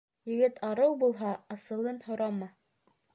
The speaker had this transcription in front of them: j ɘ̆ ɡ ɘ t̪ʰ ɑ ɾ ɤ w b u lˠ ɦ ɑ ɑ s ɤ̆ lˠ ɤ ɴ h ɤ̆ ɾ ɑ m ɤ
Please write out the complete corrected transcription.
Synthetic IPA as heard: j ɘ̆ ɡ ɘ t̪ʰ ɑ ɾ ɤ w b u lˠ ɦ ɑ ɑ s ɤ̆ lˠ ɤ n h ŏ ɾ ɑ m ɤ